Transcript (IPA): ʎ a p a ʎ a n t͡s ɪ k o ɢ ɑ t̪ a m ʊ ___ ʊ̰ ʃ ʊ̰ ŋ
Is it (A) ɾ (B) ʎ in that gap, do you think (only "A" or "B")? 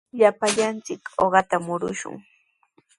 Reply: A